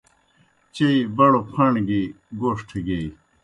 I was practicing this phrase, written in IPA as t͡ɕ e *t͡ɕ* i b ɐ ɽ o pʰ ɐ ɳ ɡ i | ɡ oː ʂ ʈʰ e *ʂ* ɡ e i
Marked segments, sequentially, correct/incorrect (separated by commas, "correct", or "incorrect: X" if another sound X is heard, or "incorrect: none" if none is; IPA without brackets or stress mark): incorrect: none, incorrect: none